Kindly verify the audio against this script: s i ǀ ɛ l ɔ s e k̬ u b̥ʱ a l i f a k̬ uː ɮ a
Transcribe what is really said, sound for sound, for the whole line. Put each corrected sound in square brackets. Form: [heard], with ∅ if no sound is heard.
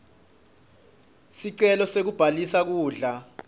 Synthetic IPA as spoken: s i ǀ ɛ l ɔ s e k̬ u b̥ʱ a l i [s] a k̬ uː ɮ a